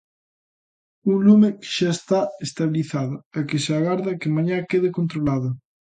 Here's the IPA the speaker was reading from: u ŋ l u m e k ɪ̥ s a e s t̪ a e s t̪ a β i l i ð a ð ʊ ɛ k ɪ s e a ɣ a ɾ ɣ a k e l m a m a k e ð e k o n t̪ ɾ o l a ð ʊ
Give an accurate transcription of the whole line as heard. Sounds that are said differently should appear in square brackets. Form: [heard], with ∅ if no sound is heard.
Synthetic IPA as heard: u ŋ l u m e k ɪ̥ [ʃ] a e s t̪ a e s t̪ a β i l i [θ] a ð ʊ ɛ k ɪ s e a ɣ a ɾ [ð] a k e [∅] m a [ɲ] a k e ð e k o n t̪ ɾ o l a ð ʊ